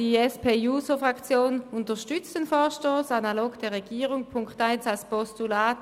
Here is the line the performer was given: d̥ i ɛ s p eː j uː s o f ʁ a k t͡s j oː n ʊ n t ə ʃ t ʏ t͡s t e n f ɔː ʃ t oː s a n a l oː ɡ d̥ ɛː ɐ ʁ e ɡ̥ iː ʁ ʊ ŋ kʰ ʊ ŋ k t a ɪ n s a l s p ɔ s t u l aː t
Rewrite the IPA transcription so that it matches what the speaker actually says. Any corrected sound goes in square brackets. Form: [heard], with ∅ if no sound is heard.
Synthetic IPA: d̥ i ɛ s p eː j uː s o f ʁ a k t͡s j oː n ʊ n t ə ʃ t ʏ t͡s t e n f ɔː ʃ t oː s a n a l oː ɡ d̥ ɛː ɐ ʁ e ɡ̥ iː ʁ ʊ ŋ [pʰ] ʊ ŋ k t a ɪ n s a l s p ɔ s t u l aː t